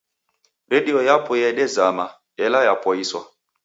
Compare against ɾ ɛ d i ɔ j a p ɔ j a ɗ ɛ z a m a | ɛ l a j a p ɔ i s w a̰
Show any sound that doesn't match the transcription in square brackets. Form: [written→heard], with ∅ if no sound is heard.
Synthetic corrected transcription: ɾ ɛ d i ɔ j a p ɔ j [a→ɛ] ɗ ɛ z a m a | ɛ l a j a p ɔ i s w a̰